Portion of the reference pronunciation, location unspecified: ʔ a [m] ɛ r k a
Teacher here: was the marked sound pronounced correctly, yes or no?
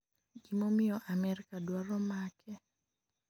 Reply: yes